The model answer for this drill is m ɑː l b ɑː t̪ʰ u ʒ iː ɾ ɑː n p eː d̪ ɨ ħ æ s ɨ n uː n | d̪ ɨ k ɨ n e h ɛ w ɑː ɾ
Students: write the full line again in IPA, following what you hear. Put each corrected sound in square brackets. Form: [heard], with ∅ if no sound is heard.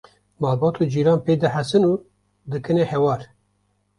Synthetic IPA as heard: m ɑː l b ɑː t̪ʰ u [d͡ʒ] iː ɾ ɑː n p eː d̪ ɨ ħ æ s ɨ n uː [∅] | d̪ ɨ k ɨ n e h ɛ w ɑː ɾ